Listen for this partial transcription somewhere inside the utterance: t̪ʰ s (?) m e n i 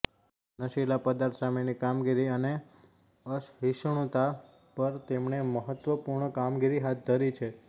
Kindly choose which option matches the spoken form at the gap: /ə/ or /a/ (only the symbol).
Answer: a